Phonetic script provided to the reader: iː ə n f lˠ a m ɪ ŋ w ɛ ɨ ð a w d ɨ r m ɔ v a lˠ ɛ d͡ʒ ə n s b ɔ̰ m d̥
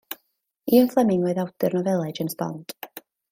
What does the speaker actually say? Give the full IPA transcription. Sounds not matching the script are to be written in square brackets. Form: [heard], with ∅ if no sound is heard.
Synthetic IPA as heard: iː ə n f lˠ [ɛ] m ɪ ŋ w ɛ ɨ ð a w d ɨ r [n] ɔ v [ɛ] lˠ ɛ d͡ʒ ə n s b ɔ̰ [n] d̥